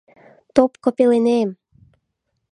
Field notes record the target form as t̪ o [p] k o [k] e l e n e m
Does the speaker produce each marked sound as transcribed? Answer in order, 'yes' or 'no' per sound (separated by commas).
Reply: yes, no